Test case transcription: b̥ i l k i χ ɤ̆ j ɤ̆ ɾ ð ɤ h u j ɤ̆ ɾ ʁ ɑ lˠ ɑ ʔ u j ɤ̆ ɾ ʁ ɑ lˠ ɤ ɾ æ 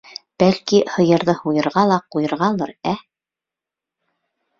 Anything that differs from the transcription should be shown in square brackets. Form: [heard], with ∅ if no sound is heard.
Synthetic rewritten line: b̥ [æ] l k i [h] ɤ̆ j ɤ̆ ɾ ð ɤ h u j ɤ̆ ɾ ʁ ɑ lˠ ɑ [q] u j ɤ̆ ɾ ʁ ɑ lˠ ɤ ɾ æ